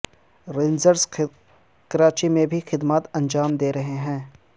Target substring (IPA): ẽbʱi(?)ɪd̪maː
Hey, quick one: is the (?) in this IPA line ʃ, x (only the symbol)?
x